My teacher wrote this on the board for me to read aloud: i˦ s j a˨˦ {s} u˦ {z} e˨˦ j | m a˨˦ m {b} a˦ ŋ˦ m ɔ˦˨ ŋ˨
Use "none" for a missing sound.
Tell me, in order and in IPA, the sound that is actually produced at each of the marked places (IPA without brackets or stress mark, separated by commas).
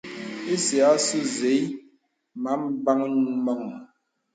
s, z, b